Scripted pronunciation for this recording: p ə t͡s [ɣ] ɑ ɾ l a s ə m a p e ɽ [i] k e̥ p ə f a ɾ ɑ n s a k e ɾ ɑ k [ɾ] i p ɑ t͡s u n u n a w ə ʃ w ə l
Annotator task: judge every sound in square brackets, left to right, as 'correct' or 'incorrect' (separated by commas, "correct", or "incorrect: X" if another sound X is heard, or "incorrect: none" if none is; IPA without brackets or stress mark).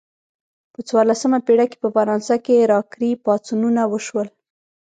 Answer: incorrect: w, incorrect: a, correct